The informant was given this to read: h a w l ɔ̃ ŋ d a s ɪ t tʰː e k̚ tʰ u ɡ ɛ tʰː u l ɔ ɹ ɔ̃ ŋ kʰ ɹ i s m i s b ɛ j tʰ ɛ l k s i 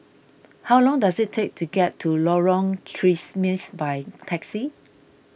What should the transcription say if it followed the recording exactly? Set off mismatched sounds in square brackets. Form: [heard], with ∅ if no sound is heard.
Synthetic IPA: h a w l ɔ̃ ŋ d a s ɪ t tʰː e k̚ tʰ u ɡ ɛ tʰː u l ɔ ɹ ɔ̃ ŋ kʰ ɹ i s m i s b [a] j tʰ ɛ [∅] k s i